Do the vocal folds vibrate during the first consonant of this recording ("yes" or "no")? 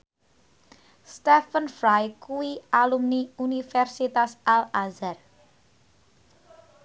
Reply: no